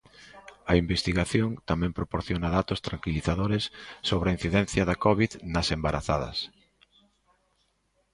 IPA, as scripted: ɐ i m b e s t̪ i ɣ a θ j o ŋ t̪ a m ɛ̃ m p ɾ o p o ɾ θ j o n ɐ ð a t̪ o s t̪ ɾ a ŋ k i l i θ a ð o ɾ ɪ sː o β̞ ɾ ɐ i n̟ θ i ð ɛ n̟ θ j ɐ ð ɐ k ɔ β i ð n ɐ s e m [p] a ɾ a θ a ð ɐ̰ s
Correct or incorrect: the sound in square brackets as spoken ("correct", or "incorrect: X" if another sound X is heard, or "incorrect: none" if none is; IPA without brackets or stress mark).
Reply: incorrect: b